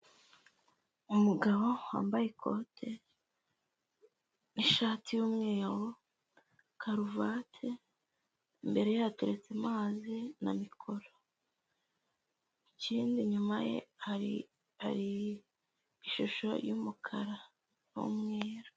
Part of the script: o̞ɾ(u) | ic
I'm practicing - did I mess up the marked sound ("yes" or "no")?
yes